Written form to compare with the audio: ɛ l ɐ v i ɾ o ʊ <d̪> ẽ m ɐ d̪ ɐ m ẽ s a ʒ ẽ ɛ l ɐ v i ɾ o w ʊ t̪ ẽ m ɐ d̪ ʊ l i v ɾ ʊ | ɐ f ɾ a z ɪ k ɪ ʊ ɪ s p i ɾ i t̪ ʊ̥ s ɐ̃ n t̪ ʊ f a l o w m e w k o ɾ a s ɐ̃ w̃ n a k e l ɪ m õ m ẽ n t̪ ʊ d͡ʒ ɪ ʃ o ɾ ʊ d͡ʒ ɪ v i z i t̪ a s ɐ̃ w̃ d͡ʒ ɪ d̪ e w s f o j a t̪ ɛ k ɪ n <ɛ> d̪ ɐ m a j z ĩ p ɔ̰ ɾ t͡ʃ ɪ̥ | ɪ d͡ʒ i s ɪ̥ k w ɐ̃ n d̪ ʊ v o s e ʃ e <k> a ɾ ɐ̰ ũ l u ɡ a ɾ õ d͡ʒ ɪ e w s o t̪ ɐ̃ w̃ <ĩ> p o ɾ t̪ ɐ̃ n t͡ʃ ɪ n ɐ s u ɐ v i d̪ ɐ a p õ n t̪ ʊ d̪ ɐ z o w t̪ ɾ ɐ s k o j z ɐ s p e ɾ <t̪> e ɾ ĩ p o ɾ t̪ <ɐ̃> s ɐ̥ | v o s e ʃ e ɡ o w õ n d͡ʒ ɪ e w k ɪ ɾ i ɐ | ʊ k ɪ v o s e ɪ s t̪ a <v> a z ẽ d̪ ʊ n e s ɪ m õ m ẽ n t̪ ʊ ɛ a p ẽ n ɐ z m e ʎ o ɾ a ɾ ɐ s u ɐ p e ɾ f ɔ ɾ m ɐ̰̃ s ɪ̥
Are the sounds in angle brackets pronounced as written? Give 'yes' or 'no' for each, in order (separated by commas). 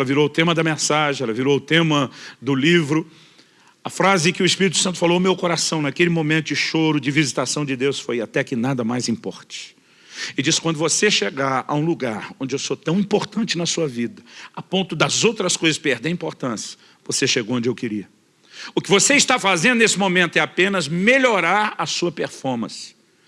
no, no, no, yes, no, yes, no